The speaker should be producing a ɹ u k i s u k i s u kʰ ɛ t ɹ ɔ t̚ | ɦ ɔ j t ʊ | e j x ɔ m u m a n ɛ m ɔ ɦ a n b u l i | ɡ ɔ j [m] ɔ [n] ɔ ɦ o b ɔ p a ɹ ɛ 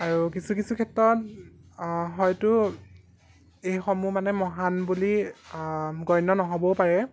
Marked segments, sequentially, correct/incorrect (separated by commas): incorrect, correct